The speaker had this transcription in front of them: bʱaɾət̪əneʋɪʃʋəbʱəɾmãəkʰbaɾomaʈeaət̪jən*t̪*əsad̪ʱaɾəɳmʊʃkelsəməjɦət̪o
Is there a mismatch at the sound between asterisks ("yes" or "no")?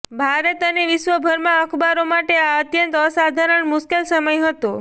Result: no